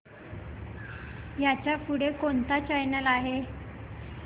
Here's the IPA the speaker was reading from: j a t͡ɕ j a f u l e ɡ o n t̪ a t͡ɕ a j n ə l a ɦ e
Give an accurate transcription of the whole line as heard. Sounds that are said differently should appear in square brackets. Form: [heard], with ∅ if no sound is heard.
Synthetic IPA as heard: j a t͡ɕ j a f u [ɽ] e [k] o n t̪ a t͡ɕ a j n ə l a ɦ e